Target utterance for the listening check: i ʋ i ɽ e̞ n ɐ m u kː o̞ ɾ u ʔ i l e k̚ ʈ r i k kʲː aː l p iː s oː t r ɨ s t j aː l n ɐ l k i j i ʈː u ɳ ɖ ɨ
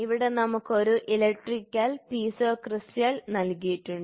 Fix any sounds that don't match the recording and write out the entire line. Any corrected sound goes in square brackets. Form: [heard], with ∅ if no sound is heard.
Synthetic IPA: i ʋ i ɽ e̞ n ɐ m u kː o̞ ɾ u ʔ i l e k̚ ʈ r i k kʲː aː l p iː s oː [k] r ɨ s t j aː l n ɐ l k i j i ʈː u ɳ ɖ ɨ